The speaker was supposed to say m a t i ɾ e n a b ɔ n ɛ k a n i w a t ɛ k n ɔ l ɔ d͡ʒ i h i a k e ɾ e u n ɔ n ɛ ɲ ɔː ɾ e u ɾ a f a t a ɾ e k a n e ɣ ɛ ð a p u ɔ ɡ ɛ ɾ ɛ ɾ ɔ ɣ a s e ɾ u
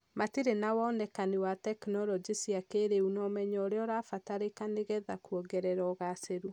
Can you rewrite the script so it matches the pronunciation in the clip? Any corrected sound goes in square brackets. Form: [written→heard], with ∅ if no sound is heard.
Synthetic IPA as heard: m a t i ɾ e n a [b→w] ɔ n ɛ k a n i w a t ɛ k n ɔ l ɔ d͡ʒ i [h→s] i a k e ɾ e u n ɔ [n→m] ɛ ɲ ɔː ɾ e [u→ɔ] ɾ a f a t a ɾ e k a n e ɣ ɛ ð a [p→k] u ɔ ɡ ɛ ɾ ɛ ɾ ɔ ɣ a s e ɾ u